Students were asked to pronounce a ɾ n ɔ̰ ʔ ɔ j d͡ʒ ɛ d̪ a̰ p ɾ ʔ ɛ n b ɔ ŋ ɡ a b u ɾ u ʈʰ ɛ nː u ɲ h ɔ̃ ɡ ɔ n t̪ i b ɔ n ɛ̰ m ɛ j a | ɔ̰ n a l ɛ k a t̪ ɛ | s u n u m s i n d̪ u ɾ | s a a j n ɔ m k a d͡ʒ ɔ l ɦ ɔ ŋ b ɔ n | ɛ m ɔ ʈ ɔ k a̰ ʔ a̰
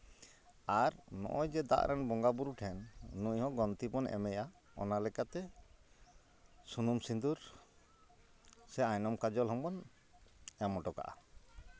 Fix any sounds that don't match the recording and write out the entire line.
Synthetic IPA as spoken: a ɾ n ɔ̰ ʔ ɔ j d͡ʒ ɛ d̪ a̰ ʔ ɾ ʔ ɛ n b ɔ ŋ ɡ a b u ɾ u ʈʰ ɛ nː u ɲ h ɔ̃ ɡ ɔ n t̪ i b ɔ n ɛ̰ m ɛ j a | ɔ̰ n a l ɛ k a t̪ ɛ | s u n u m s i n d̪ u ɾ | s ɛ a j n ɔ m k a d͡ʒ ɔ l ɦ ɔ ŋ b ɔ n | ɛ m ɔ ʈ ɔ k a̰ ʔ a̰